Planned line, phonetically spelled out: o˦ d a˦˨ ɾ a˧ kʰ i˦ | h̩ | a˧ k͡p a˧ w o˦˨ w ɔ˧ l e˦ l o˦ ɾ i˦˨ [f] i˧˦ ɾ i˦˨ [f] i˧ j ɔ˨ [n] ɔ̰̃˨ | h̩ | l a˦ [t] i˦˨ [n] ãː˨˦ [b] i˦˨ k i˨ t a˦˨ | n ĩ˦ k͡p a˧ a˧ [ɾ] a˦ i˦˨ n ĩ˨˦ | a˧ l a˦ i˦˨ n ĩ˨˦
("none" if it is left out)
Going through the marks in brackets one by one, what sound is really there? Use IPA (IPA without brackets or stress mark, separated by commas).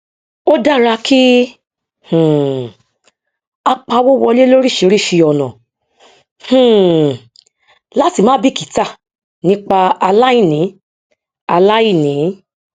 ʃ, ʃ, n, t, m, b, l